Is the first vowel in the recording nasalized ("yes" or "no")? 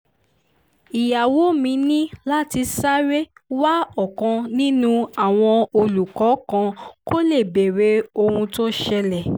no